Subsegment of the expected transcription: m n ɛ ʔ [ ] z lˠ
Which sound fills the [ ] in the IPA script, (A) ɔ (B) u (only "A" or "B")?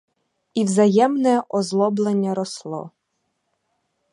A